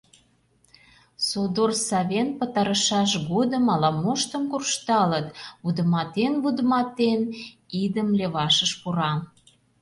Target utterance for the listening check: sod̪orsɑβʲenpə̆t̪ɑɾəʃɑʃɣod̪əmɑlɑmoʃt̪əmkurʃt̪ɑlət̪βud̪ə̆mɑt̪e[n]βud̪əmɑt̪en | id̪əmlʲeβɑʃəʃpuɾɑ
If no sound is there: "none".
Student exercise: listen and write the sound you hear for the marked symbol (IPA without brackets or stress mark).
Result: n